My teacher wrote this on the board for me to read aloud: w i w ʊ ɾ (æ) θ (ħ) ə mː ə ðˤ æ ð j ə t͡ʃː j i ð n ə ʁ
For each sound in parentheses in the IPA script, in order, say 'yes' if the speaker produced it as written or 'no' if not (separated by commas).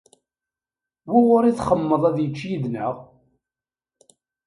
no, no